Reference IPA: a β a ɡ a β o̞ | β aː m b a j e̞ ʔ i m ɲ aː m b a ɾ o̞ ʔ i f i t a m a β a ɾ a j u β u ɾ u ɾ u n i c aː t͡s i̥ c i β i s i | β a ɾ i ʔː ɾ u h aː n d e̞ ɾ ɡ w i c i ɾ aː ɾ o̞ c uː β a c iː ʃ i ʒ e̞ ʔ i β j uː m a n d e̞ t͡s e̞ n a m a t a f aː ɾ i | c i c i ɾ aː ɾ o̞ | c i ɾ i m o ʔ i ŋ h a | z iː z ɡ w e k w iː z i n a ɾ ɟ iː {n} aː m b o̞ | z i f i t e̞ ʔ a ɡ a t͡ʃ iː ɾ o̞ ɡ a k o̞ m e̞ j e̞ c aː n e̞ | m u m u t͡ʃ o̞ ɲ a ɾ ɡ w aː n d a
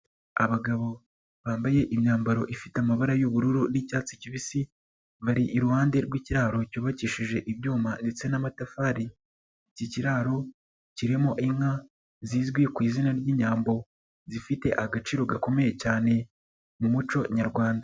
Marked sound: incorrect: ɲ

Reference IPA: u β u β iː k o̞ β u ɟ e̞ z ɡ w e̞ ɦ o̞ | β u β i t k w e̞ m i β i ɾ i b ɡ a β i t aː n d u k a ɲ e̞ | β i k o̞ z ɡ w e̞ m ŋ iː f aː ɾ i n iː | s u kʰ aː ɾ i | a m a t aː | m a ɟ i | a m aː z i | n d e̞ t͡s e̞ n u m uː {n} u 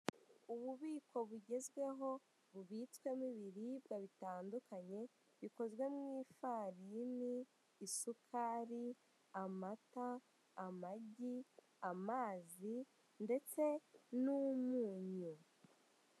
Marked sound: incorrect: ɲ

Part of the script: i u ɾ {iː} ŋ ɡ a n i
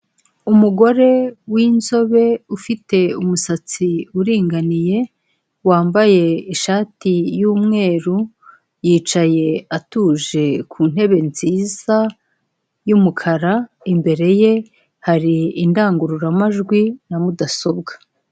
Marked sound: correct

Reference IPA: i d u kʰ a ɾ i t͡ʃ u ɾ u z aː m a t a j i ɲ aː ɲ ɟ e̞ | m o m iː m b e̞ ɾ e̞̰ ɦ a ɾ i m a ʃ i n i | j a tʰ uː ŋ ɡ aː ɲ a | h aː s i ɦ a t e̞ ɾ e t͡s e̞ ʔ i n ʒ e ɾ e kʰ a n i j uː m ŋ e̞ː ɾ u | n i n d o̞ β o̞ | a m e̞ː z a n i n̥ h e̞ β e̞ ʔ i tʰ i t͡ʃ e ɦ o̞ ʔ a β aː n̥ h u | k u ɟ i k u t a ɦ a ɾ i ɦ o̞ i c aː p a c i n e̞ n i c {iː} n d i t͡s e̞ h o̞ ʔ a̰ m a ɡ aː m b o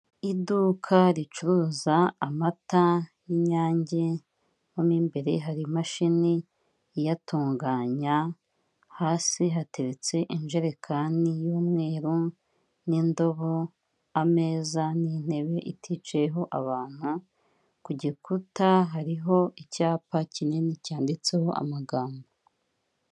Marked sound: incorrect: aː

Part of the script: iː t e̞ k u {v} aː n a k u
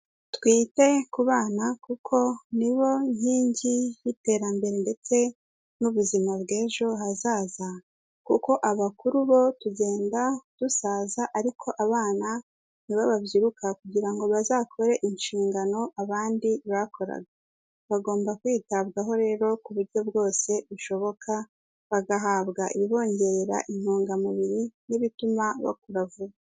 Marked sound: incorrect: β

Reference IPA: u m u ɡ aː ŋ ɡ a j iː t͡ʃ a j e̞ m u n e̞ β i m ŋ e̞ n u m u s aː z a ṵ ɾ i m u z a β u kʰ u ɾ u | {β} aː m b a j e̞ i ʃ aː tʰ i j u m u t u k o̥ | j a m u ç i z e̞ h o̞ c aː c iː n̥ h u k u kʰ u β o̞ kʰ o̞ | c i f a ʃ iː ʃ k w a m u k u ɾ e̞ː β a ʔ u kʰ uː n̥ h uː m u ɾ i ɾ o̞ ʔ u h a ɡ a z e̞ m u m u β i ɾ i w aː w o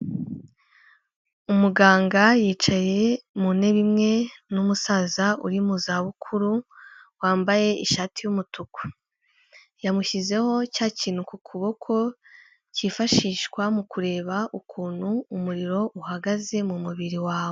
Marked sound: incorrect: w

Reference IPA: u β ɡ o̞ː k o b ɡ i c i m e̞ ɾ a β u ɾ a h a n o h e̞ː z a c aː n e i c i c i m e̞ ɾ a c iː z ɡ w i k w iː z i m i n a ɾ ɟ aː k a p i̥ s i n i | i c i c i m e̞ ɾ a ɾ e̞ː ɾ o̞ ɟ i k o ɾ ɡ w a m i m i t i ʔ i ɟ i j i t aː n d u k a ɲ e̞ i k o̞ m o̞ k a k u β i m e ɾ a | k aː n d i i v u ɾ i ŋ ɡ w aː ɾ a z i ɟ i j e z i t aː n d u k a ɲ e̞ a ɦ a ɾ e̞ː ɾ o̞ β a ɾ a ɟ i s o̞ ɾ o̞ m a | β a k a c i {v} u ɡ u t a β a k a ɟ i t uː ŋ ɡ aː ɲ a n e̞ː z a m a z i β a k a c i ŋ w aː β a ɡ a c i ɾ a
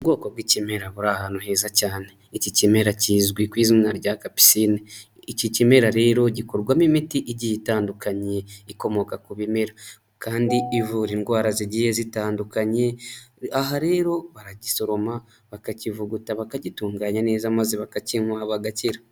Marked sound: correct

